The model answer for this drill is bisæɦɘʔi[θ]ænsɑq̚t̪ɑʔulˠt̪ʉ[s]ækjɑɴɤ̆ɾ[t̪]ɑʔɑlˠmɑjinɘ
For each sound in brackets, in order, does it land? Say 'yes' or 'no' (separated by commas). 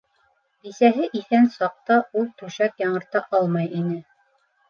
yes, no, yes